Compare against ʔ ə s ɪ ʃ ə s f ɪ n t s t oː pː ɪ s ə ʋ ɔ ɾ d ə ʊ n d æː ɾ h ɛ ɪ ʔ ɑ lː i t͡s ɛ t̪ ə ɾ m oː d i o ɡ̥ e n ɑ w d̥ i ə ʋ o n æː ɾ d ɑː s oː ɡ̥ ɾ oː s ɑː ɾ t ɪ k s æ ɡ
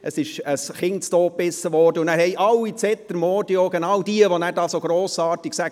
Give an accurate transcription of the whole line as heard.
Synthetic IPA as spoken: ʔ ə s ɪ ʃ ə s χ ɪ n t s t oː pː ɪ s ə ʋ ɔ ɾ d ə ʊ n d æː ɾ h ɛ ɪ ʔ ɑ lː i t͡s ɛ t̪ ə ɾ m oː d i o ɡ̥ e n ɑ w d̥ i ə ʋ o n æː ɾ d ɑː s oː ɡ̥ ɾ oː s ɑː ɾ t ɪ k s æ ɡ